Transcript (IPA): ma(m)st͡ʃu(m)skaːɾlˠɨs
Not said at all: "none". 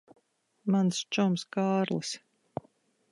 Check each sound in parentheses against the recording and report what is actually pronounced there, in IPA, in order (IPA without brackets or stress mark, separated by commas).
n, m